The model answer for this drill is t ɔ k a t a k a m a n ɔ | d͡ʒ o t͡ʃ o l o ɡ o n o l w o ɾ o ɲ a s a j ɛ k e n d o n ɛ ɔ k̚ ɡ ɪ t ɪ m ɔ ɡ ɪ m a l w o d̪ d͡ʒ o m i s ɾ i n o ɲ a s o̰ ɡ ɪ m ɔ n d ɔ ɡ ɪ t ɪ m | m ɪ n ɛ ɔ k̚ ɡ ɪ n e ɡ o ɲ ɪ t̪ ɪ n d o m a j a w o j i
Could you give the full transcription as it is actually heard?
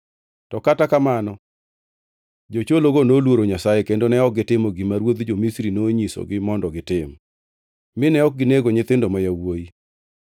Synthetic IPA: t ɔ k a t a k a m a n ɔ | d͡ʒ o t͡ʃ o l o ɡ o n o l w o ɾ o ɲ a s a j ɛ k e n d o n ɛ ɔ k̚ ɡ ɪ t ɪ m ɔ ɡ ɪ m a ɾ w o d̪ d͡ʒ o m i s ɾ i n o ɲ i s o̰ ɡ ɪ m ɔ n d ɔ ɡ ɪ t ɪ m | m ɪ n ɛ ɔ k̚ ɡ ɪ n e ɡ o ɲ ɪ t̪ ɪ n d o m a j a w o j i